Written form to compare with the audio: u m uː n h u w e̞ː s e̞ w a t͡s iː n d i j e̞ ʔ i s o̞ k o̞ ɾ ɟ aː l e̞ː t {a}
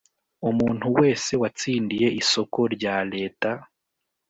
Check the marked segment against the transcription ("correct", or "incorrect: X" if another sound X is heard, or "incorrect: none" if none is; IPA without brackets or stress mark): correct